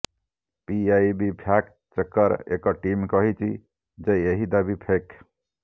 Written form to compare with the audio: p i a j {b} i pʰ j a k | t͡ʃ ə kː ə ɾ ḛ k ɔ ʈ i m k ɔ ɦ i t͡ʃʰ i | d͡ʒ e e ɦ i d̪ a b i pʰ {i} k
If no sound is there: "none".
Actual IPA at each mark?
b, e

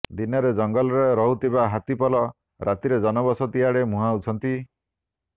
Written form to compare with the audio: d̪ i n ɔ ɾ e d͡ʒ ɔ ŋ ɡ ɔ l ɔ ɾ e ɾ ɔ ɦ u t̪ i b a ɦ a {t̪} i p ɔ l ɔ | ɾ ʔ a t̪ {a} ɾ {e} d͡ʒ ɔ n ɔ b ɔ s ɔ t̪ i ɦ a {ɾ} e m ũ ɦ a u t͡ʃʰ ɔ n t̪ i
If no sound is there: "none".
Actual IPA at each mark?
t̪, i, e, ɽ

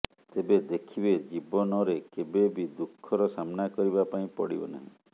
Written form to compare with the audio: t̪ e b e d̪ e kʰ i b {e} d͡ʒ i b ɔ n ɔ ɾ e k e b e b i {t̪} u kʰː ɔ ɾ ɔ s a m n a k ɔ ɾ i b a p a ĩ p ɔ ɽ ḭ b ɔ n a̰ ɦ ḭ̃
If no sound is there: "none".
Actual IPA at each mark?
e, d̪

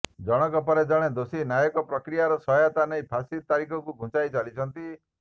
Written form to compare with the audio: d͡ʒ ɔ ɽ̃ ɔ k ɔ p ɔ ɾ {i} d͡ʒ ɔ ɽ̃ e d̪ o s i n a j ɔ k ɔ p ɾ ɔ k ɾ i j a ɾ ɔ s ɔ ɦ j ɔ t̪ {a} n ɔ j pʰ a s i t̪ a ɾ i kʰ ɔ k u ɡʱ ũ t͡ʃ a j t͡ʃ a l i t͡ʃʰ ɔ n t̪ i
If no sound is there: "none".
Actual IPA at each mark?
e, a

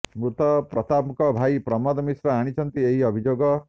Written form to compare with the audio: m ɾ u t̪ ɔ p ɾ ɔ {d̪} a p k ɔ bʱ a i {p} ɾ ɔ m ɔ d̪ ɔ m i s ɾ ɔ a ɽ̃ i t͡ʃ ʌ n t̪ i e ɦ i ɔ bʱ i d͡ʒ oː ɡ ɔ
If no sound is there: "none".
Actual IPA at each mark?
t̪, p

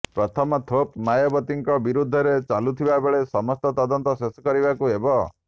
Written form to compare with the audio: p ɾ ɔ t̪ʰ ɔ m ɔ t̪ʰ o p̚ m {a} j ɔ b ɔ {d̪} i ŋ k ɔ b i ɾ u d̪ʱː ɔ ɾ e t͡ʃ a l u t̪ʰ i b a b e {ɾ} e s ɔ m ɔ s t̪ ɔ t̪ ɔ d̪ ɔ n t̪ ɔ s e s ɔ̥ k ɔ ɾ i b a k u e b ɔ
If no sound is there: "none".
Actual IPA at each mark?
a, t̪, ɭ

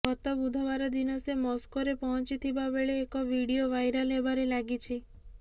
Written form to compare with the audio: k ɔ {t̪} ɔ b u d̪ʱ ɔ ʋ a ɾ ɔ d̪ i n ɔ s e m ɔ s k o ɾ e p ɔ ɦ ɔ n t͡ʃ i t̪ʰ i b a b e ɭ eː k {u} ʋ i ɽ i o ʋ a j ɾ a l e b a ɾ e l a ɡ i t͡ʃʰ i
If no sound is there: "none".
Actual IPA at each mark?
t̪, ɔ

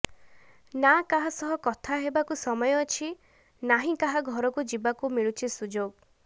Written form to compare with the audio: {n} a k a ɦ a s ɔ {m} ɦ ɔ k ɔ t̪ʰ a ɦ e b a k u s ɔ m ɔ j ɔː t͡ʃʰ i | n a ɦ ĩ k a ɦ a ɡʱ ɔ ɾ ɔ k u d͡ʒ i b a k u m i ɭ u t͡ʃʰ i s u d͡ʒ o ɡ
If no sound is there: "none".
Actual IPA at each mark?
n, none

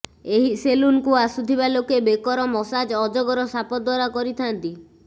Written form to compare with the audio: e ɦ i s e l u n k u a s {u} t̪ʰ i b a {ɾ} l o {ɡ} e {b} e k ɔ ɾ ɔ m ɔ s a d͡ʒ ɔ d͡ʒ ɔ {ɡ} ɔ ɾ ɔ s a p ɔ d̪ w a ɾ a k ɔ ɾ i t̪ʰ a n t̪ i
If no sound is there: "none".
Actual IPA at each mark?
u, none, k, b, ɡ

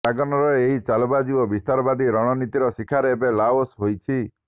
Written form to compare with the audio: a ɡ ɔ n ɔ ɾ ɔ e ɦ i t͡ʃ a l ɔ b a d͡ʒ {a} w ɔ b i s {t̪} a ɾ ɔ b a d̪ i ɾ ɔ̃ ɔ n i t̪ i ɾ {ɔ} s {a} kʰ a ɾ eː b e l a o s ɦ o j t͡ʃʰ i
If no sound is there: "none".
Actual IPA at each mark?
i, t̪, ɔ, i

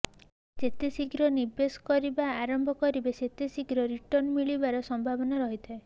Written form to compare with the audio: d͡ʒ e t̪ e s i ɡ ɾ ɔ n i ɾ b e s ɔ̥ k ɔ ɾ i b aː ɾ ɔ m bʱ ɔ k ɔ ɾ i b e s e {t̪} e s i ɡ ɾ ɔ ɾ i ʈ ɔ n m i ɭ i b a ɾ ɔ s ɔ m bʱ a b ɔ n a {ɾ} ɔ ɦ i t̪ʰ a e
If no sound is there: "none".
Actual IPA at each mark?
t̪, ɾ

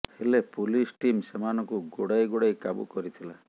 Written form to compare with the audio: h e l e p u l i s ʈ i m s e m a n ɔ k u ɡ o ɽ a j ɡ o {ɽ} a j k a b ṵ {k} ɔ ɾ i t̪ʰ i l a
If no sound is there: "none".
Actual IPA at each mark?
ɽ, k

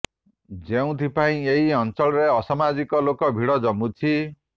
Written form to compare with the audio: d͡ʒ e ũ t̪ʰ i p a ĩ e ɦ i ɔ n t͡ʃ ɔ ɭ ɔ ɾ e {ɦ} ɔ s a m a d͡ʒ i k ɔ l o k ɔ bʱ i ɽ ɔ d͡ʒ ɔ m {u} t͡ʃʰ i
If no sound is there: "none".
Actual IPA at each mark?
none, u

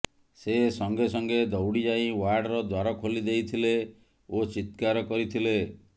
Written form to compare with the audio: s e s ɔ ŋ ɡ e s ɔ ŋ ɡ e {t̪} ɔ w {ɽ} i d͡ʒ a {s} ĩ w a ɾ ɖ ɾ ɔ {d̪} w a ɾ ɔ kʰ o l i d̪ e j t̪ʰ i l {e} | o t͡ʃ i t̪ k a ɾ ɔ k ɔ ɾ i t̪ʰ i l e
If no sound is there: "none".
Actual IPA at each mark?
d̪, ɽ, none, d̪, e

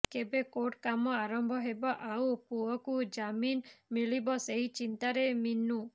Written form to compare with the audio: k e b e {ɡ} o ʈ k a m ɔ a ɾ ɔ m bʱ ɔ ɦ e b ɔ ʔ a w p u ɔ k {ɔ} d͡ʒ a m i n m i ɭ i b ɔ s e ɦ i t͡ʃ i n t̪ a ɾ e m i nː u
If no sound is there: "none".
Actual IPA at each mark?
k, u

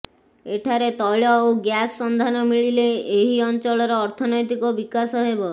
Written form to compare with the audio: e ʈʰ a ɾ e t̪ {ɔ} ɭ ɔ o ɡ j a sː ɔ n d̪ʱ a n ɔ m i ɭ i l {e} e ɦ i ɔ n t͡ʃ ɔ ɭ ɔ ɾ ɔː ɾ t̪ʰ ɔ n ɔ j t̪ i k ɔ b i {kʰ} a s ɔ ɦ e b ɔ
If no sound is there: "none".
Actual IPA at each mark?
ɔ, e, k

